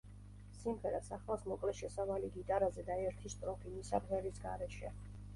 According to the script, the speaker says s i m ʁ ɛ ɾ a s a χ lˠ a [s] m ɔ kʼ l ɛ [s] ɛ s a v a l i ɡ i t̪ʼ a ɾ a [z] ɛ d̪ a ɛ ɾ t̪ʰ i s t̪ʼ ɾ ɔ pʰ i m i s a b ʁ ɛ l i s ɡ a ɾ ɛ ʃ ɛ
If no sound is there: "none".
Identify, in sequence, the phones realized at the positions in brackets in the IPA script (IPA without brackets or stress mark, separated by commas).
s, ʃ, z